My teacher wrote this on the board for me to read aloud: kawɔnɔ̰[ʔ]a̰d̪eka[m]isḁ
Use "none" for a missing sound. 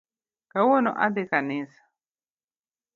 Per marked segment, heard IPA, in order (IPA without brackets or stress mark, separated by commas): ʔ, n